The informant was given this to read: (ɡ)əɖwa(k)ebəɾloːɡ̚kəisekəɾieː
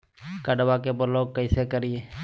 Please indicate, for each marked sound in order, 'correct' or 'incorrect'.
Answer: incorrect: k, correct

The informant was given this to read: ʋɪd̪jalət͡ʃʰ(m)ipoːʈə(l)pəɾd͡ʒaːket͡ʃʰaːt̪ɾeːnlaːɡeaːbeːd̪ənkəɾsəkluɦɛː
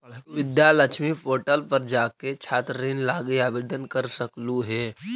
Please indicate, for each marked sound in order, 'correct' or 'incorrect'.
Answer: correct, correct

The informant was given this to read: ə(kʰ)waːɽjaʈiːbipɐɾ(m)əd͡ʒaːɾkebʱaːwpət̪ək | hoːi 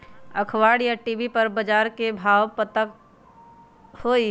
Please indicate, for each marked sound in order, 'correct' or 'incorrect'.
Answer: correct, incorrect: b

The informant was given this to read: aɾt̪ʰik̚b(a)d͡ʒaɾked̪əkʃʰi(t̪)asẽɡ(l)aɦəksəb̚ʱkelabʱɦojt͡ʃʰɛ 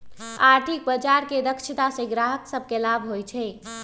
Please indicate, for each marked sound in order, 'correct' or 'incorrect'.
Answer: incorrect: ə, correct, incorrect: ɾ

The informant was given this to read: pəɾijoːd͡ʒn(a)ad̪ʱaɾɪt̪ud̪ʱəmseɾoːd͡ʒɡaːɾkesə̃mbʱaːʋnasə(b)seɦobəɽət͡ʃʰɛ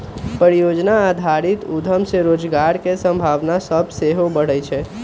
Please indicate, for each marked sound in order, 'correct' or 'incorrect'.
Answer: correct, correct

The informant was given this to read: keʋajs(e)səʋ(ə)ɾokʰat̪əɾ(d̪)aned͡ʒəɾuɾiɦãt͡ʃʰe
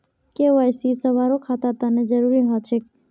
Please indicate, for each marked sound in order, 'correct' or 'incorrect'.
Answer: incorrect: i, incorrect: a, incorrect: t̪

